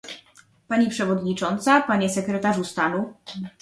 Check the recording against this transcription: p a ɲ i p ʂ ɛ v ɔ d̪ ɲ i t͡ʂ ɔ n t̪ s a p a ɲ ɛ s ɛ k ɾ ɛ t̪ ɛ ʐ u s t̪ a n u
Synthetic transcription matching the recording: p a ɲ i p ʂ ɛ v ɔ d̪ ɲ i t͡ʂ ɔ n t̪ s a p a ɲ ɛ s ɛ k ɾ ɛ t̪ a ʐ u s t̪ a n u